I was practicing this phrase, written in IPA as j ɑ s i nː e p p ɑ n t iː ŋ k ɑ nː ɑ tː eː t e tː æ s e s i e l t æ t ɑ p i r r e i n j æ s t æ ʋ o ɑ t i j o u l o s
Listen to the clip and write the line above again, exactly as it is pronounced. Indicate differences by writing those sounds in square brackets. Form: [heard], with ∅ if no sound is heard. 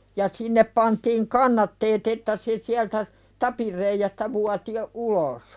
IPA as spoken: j ɑ s i nː e p p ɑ n t iː ŋ k ɑ nː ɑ tː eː t e tː æ s e s i [æ] l t æ t ɑ p i r r e i [∅] j æ s t æ ʋ [u] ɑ t i j o u l o s